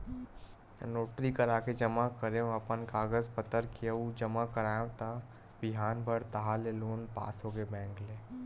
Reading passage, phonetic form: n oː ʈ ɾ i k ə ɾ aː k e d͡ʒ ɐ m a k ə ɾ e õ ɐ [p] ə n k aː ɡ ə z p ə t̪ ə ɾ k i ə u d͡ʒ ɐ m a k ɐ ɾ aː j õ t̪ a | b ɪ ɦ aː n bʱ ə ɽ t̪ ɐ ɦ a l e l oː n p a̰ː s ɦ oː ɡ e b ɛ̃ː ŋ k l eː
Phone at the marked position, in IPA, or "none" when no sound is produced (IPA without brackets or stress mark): p